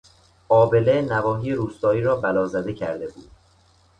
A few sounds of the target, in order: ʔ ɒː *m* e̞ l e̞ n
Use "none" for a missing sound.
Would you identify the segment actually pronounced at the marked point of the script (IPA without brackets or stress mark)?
b